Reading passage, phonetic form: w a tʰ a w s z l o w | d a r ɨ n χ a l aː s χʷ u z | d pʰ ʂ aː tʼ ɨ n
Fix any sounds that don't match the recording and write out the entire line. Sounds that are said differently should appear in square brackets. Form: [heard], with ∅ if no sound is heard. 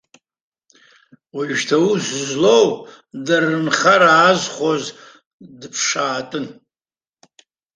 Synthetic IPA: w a tʰ a [u] s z l o w | d a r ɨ n χ a [ɾ] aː [z] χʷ [o] z | d pʰ ʂ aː tʼ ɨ n